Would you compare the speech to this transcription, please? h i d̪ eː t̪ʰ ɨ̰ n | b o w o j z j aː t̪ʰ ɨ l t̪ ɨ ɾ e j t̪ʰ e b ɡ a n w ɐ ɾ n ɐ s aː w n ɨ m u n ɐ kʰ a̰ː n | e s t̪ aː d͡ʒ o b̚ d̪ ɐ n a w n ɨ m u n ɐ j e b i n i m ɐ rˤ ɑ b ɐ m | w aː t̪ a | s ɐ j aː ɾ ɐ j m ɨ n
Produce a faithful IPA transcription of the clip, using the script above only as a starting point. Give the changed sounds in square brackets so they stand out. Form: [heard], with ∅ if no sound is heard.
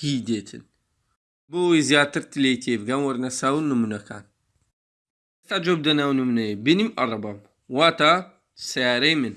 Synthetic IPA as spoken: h i d̪ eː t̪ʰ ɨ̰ n | b o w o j z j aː [t̪] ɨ [ɾ] t̪ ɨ [l] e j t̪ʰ e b ɡ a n w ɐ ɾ n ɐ s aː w n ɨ m u n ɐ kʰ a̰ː n | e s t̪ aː d͡ʒ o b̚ d̪ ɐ n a w n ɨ m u n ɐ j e b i n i m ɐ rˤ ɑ b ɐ m | w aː t̪ a | s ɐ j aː ɾ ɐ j m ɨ n